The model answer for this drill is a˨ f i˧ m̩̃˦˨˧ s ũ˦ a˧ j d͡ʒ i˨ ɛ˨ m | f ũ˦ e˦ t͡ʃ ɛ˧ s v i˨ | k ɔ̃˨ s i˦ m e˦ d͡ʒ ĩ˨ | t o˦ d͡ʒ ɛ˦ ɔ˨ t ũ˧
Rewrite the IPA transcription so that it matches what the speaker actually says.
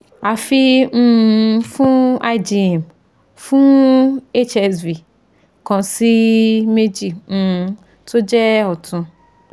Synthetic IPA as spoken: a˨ f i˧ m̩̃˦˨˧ f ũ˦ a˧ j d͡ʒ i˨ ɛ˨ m | f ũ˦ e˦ t͡ʃ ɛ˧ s v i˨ | k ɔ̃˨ s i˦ m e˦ d͡ʒ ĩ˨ | t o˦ d͡ʒ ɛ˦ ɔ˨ t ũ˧